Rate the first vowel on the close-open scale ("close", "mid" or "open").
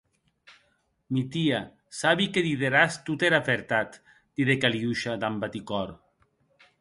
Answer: close